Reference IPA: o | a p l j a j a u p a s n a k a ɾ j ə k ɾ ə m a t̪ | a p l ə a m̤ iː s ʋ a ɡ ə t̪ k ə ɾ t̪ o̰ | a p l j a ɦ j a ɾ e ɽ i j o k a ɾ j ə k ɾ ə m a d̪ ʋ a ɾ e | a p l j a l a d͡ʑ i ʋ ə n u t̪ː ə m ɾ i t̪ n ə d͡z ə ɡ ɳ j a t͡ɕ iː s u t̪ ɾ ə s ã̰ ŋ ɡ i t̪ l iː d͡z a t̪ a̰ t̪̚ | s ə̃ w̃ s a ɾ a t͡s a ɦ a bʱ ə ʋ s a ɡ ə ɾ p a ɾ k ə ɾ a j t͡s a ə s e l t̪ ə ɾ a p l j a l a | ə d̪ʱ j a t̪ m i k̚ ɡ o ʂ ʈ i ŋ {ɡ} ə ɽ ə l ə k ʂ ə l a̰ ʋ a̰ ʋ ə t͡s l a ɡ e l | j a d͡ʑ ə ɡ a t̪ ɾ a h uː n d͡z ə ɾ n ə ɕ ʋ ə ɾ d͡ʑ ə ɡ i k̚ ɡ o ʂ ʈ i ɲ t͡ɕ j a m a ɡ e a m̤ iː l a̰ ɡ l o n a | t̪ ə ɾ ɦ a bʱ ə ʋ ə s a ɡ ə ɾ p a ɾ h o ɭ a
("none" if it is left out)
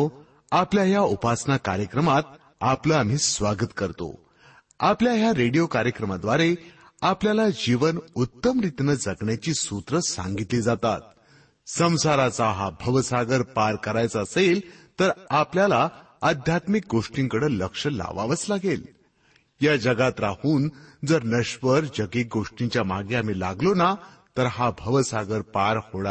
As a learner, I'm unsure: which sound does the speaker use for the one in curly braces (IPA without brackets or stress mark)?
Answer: k